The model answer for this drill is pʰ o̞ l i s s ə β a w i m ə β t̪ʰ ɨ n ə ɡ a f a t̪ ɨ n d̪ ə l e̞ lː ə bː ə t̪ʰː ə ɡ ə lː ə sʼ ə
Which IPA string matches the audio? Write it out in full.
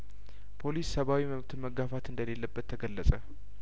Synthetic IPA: pʰ o̞ l i s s ə β a w i m ə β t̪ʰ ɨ m ə ɡ a f a t̪ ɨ n d̪ ə l e̞ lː ə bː ə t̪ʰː ə ɡ ə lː ə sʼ ə